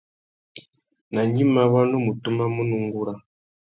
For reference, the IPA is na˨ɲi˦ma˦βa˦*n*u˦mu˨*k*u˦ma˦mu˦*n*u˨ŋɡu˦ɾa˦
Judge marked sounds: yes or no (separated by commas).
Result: yes, no, yes